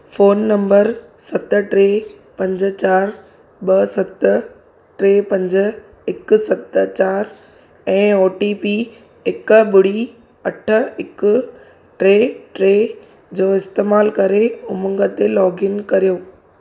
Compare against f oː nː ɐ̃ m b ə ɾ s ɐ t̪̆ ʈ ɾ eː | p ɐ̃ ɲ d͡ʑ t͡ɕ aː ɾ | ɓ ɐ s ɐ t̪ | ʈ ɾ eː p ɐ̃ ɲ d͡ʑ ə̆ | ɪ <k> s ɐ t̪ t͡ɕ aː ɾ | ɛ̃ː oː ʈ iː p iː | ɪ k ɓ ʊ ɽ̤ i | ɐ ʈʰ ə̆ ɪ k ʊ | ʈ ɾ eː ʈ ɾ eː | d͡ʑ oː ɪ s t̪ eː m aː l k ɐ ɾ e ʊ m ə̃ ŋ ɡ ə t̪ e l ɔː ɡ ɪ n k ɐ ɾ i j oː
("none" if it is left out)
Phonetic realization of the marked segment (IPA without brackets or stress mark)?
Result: k